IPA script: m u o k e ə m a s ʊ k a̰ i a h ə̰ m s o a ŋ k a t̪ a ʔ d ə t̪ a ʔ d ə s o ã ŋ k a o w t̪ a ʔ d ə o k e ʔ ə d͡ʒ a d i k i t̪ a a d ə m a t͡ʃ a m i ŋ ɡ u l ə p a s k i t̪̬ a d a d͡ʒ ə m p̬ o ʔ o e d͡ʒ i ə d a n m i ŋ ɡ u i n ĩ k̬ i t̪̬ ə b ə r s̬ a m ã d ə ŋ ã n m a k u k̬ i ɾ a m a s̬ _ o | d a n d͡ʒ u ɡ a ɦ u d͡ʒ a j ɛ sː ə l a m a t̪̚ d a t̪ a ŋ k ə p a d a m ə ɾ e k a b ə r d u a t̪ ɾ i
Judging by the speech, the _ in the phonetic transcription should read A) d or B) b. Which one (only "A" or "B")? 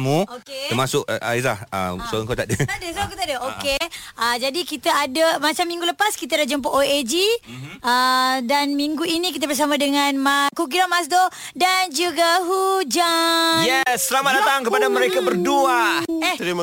A